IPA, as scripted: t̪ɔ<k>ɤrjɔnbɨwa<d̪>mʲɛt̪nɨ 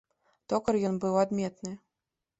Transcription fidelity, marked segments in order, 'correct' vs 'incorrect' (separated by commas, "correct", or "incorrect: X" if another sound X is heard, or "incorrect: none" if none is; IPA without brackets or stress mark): correct, correct